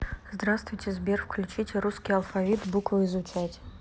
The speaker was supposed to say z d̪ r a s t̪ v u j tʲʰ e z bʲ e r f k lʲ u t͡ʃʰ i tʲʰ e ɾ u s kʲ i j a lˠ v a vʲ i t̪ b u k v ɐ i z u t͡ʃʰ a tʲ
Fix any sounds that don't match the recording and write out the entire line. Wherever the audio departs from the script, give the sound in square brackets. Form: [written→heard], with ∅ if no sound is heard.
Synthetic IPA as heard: z d̪ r a s t̪ v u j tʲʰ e z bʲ e r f k lʲ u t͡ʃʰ i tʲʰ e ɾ u s kʲ i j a lˠ [v→f] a vʲ i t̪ b u k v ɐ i z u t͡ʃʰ a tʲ